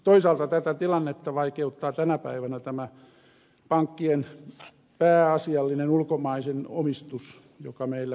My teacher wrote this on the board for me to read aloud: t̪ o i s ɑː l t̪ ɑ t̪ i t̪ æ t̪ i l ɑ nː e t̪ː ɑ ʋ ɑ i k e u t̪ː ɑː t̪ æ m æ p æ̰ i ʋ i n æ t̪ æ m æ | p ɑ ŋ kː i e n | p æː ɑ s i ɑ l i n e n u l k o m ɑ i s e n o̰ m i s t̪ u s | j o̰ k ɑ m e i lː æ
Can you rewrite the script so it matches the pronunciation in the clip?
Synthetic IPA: t̪ o i s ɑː l t̪ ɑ t̪ æ t̪ æ t̪ i l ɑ nː e t̪ː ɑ ʋ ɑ i k e u t̪ː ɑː t̪ æ n æ p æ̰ i ʋ æ n æ t̪ æ m æ | p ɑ ŋ kː i e n | p æː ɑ s i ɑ lː i n e n u l k o m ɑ i s e n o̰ m i s t̪ u s | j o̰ k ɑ m e i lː æ